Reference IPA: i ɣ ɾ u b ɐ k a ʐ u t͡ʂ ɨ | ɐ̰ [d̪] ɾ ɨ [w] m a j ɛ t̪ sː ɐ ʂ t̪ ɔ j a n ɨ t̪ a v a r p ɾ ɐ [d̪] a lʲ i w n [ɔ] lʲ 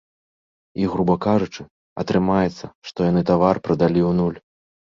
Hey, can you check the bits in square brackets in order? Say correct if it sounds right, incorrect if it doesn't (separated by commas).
incorrect, incorrect, correct, incorrect